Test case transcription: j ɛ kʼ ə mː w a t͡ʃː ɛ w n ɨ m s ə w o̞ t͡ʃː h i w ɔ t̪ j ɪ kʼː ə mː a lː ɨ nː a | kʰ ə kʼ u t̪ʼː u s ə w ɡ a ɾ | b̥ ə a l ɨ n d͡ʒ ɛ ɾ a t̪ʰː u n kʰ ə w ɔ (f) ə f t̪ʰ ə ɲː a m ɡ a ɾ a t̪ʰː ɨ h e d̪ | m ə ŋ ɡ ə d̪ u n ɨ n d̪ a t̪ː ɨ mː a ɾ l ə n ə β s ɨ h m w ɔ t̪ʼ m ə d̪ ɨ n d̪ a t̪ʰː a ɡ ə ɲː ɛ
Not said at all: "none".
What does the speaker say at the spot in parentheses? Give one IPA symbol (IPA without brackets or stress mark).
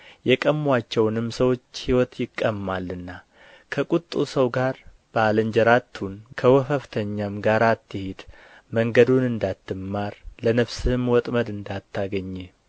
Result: f